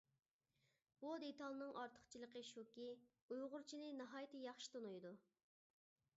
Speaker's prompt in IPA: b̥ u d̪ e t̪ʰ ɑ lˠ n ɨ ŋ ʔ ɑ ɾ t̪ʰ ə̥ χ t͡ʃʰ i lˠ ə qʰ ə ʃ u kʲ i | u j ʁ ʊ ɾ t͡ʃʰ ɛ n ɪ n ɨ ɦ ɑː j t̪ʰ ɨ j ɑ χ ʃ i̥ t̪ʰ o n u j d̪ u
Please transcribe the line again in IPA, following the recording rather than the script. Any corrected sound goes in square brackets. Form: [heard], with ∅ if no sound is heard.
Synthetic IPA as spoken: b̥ u d̪ e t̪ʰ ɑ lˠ n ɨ ŋ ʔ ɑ ɾ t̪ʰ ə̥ χ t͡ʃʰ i lˠ ə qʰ ə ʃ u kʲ i | u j ʁ ʊ ɾ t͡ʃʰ [i] n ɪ n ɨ ɦ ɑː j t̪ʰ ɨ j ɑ χ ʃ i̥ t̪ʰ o n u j d̪ u